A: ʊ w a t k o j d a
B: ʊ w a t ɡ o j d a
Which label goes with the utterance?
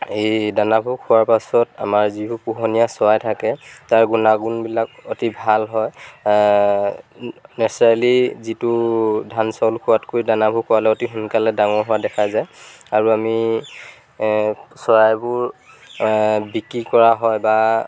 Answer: A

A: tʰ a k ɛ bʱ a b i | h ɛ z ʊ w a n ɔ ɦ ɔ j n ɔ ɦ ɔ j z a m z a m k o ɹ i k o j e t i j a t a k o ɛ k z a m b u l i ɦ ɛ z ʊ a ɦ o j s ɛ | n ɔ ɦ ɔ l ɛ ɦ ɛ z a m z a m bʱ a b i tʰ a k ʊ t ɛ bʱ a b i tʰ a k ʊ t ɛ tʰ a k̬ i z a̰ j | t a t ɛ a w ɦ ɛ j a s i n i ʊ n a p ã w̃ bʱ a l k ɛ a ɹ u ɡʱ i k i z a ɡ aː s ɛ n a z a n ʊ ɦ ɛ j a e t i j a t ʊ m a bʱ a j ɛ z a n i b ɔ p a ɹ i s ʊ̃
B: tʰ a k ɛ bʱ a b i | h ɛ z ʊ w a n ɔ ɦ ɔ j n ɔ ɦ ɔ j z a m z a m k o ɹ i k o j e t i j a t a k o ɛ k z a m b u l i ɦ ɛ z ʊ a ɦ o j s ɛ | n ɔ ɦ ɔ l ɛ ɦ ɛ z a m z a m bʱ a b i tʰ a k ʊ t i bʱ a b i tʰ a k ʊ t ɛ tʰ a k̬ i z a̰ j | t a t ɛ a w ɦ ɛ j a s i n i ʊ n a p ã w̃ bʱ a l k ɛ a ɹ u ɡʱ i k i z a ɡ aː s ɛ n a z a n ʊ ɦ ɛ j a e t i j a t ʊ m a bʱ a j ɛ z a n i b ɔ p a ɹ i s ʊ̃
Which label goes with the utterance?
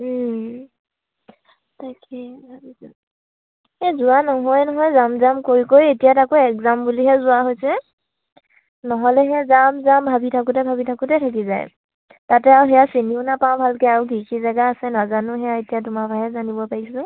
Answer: A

